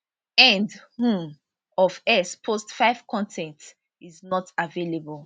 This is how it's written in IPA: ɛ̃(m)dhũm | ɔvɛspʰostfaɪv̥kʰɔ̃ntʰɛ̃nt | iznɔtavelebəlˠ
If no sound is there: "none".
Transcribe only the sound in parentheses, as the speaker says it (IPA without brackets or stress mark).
n